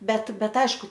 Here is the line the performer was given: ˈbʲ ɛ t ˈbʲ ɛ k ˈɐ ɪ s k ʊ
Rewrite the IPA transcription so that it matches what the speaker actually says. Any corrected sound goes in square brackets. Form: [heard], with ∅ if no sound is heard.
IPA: ˈbʲ ɛ t ˈbʲ ɛ [t] ˈɐ ɪ [ʃ] k ʊ